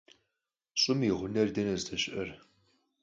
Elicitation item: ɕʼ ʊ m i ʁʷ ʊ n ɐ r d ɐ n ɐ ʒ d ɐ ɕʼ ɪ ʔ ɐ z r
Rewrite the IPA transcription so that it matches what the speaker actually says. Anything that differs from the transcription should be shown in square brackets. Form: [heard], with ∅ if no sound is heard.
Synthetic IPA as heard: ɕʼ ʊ m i ʁʷ ʊ n ɐ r d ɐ n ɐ [z] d ɐ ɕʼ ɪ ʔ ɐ [∅] r